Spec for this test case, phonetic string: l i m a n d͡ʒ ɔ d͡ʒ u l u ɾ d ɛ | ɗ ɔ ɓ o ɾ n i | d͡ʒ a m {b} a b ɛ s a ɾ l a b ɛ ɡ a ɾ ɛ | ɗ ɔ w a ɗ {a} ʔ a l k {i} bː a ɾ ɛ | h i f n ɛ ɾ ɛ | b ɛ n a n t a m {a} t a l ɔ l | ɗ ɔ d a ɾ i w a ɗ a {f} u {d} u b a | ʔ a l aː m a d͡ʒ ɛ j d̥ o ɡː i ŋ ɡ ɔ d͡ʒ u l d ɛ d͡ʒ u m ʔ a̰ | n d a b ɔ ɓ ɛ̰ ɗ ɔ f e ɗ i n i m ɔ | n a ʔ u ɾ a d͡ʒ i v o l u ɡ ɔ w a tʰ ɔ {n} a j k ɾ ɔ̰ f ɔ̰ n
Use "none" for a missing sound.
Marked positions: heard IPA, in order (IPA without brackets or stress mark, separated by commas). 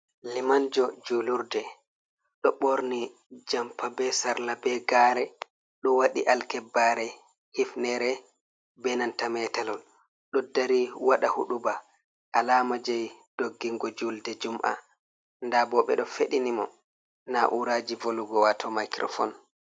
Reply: p, i, ɛ, ɛ, h, ɗ, m